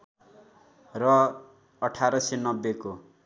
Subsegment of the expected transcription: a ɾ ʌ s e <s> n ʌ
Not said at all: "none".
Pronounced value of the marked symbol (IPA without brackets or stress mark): none